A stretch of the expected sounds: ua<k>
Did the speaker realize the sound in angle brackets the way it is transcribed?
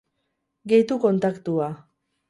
no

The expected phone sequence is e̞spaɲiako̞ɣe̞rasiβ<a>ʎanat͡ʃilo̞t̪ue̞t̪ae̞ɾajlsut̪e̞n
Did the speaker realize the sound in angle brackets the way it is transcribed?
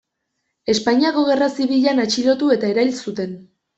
no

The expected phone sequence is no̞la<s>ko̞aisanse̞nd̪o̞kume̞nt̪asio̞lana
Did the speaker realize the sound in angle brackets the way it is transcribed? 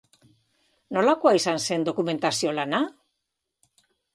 no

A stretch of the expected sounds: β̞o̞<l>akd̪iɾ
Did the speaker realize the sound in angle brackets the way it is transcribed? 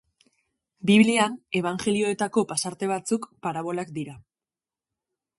yes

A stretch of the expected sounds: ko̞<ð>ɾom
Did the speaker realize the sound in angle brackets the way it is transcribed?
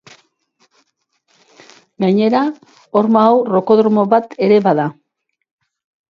yes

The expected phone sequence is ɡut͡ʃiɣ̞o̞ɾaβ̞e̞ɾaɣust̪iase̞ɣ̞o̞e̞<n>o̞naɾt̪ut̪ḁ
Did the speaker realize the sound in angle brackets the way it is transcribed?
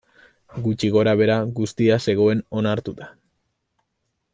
yes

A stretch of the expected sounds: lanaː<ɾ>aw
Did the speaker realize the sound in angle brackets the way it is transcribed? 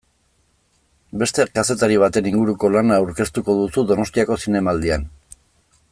no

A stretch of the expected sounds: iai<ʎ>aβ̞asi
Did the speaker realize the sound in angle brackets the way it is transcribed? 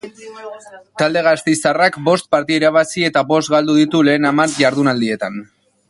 no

